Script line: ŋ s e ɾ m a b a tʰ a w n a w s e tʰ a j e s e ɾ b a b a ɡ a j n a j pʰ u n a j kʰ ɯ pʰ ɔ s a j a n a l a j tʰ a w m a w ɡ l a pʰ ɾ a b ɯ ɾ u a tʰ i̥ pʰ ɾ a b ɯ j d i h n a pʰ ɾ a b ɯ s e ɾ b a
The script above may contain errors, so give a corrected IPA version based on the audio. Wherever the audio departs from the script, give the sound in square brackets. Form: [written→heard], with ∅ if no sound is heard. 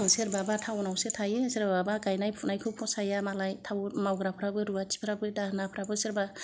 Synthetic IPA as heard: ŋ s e ɾ [m→b] a b a tʰ a w n a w s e tʰ a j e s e ɾ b a b a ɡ a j n a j pʰ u n a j kʰ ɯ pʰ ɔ s a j a [n→m] a l a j tʰ a w m a w ɡ [l→ɾ] a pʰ ɾ a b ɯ ɾ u a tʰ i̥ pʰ ɾ a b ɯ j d [i→a] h n a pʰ ɾ a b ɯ s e ɾ b a